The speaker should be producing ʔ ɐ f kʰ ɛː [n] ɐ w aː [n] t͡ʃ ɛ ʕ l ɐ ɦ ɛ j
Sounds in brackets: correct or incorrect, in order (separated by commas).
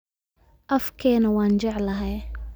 correct, correct